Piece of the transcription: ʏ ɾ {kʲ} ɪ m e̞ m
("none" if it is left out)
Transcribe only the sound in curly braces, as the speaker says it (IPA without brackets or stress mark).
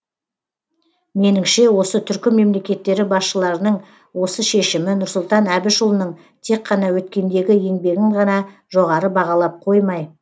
kʲ